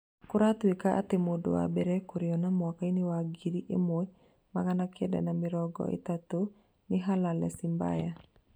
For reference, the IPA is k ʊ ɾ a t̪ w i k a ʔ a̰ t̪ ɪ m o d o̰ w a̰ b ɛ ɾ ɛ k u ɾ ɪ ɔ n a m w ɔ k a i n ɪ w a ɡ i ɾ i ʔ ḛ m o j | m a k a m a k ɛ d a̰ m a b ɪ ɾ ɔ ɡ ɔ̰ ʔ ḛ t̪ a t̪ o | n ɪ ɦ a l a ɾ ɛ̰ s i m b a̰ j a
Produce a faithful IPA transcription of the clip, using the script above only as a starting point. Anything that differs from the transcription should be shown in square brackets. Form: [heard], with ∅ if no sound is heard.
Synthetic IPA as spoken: k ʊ ɾ a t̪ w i k a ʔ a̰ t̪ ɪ m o d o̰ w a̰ b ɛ ɾ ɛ k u ɾ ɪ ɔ n a m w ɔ k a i n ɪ w a ɡ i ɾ i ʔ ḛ m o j | m a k a [n] a k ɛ d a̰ [n] a [m] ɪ ɾ ɔ ɡ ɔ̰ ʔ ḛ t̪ a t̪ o | n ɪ ɦ a l a [l] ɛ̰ s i m b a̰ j a